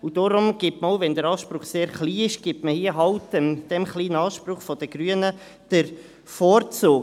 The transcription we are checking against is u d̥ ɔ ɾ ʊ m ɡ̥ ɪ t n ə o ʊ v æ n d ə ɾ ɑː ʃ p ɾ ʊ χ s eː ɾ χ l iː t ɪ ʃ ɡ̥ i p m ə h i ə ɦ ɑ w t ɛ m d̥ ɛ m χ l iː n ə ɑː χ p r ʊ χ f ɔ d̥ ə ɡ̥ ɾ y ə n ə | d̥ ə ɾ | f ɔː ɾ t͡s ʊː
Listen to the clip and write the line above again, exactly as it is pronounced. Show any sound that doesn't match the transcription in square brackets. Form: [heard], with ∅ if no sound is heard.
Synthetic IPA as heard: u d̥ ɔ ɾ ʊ m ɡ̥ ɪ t [m] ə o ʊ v [ɛ] n d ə ɾ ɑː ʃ p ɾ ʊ χ s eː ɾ χ l iː [∅] ɪ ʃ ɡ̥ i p m ə h i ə ɦ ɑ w t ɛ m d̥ ɛ m χ l iː n ə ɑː [ʃ] p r ʊ χ f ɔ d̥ ə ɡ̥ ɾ y ə n ə | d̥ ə ɾ | f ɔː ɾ t͡s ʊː